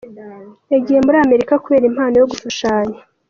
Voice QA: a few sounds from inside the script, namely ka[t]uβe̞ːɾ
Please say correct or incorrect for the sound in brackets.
incorrect: k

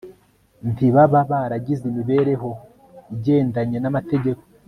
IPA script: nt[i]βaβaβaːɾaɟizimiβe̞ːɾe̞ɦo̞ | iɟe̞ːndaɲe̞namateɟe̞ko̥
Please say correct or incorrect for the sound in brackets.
correct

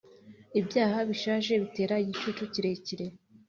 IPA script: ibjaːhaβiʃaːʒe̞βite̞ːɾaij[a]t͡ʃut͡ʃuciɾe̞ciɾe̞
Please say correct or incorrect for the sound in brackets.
incorrect: i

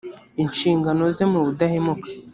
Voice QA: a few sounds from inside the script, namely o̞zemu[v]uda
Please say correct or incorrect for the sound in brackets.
incorrect: β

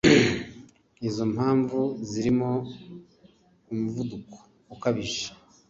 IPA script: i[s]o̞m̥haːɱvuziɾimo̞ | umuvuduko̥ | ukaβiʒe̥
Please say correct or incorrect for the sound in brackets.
incorrect: z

